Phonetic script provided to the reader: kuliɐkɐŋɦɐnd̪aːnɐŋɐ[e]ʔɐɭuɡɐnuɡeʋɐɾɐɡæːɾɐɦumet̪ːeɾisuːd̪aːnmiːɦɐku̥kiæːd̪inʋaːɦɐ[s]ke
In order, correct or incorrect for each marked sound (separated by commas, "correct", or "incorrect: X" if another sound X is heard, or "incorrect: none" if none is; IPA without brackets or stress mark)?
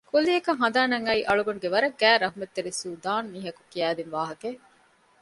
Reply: incorrect: i, incorrect: none